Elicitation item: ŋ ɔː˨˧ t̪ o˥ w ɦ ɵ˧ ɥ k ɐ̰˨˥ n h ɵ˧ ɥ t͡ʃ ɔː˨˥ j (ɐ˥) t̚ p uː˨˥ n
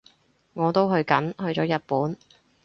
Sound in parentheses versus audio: incorrect: ɐ˨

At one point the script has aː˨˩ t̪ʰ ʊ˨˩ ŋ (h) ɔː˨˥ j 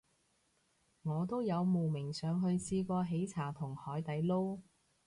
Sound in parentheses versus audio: correct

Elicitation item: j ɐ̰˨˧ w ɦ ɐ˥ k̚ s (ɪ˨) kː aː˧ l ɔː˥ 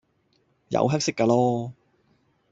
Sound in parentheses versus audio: incorrect: ɪ˥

